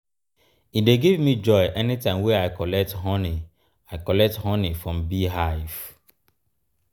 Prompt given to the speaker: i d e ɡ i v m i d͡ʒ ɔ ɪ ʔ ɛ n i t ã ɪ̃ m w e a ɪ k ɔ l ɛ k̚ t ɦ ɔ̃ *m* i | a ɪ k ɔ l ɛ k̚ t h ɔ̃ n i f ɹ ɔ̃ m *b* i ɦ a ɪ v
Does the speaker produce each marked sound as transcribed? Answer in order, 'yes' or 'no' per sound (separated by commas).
no, yes